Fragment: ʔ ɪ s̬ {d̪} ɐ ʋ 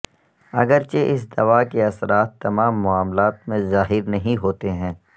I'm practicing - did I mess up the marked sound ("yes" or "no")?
no